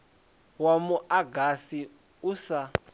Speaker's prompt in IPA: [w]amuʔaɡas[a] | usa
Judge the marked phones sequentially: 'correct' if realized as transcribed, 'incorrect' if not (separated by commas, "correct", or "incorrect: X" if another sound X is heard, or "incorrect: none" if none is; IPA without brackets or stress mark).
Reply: correct, incorrect: i